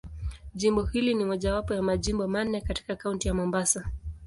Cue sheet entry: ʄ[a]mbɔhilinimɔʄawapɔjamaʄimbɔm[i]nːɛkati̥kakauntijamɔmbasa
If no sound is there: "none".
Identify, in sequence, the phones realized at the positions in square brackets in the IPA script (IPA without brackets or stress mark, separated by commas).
i, a